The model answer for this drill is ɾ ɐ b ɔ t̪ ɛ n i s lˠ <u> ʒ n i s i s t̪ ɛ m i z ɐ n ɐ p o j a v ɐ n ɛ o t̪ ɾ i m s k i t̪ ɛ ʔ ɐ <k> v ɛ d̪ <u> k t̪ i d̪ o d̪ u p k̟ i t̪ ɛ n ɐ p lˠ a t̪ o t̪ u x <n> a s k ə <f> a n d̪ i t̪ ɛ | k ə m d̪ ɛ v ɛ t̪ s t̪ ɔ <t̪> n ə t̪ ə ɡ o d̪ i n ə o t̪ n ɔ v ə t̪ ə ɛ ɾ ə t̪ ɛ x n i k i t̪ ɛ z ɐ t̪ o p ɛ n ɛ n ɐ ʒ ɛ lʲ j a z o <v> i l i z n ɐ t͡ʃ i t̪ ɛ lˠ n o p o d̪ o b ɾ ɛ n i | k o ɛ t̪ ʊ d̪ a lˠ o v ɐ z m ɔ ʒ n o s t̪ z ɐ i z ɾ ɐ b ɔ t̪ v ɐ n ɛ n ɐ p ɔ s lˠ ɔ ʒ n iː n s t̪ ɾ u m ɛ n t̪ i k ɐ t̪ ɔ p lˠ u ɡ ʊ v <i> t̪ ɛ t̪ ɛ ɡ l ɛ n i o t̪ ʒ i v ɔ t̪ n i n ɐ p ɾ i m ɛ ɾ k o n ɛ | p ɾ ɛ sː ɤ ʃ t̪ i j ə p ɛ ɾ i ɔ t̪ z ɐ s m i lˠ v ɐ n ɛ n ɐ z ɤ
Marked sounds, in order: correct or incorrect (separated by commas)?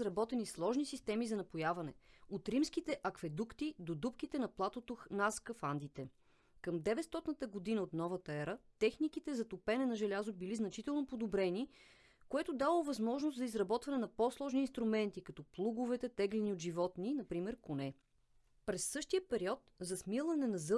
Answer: incorrect, correct, correct, correct, correct, correct, incorrect, incorrect